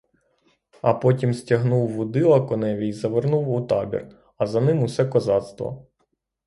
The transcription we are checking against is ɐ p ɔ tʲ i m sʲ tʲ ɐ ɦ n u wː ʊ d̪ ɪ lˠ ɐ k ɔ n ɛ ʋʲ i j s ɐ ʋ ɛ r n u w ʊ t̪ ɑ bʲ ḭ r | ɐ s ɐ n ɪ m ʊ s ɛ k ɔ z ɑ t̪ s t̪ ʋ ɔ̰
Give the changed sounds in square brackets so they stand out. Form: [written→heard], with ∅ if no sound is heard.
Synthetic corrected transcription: ɐ p ɔ tʲ i m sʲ tʲ ɐ ɦ n u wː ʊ d̪ ɪ lˠ ɐ k ɔ n ɛ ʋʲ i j [s→z] ɐ ʋ [ɛ→e] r n u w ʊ t̪ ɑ bʲ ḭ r | ɐ [s→z] ɐ n ɪ m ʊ s ɛ k ɔ z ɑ t̪ s t̪ ʋ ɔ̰